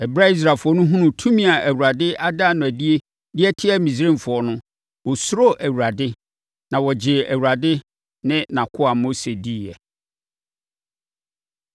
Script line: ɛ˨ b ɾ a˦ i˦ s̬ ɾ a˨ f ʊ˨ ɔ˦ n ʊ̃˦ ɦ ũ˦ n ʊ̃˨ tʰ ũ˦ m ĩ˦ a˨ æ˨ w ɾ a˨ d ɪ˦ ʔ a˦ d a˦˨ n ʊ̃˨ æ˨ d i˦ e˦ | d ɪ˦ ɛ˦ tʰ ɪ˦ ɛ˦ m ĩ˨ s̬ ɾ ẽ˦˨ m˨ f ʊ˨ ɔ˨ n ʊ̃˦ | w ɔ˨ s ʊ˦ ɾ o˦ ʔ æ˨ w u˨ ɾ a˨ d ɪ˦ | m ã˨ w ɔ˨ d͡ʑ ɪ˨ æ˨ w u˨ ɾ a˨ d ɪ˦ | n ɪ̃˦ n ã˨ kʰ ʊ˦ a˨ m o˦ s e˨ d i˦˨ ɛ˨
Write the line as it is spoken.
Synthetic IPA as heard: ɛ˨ b ɾ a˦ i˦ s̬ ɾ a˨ f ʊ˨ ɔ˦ n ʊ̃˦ ɦ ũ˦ n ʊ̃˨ tʰ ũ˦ m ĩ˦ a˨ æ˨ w ɾ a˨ d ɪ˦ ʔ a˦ d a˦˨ n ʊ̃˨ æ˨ d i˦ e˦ | d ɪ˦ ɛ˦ tʰ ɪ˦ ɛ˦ m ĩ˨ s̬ ɾ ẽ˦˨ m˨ f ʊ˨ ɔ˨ n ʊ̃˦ | w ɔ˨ s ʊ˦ ɾ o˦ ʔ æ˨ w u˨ ɾ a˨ d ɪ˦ | n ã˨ w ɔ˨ d͡ʑ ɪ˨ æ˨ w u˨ ɾ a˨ d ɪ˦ | n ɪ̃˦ n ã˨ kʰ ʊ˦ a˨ m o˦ s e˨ d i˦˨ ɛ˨